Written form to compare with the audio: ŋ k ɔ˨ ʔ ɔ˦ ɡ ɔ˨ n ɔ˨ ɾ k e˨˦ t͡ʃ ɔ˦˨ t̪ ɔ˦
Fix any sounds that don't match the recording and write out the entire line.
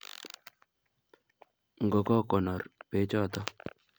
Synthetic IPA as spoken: ŋ ɡ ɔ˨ k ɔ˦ k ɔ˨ n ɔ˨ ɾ p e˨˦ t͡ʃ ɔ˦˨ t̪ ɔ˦